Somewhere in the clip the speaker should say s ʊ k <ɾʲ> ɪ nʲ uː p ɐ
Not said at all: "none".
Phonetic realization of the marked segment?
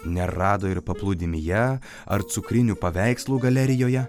ɾʲ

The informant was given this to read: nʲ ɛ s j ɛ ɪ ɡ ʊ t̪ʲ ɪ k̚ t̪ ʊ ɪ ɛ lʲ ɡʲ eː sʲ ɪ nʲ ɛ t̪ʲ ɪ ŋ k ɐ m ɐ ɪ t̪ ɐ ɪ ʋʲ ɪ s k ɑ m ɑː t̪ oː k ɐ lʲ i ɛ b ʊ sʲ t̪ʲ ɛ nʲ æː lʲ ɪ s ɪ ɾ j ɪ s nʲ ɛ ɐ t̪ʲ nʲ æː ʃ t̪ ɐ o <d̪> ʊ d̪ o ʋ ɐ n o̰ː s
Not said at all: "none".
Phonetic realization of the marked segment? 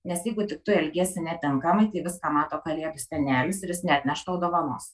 none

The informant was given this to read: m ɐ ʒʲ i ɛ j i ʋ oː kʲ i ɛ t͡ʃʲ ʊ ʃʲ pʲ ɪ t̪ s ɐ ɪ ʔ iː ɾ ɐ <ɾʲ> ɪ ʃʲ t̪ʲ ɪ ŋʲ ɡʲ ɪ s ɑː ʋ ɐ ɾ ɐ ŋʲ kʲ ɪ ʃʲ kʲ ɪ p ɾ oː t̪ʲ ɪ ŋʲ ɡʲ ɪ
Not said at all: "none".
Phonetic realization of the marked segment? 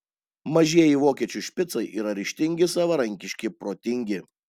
ɾʲ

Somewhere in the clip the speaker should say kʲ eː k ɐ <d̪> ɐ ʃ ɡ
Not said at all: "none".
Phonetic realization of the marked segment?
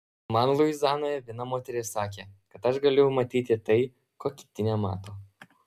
t̪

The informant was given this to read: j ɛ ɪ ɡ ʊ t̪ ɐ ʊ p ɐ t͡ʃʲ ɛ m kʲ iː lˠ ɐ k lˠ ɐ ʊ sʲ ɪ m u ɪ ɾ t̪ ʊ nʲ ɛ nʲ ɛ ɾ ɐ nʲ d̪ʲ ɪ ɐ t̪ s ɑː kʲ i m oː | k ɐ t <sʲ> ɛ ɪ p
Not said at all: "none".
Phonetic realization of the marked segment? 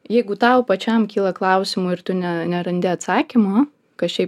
ʃʲ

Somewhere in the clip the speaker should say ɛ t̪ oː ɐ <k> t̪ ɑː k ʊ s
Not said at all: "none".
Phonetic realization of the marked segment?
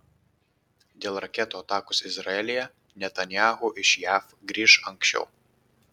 none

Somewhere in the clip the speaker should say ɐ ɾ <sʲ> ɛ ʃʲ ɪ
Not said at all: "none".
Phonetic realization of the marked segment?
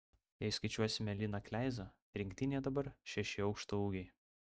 ʃʲ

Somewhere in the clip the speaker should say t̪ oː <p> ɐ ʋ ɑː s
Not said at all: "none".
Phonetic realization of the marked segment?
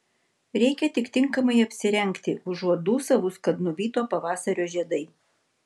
p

